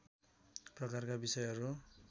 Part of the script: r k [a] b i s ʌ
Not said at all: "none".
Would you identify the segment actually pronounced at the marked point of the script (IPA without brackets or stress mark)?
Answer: a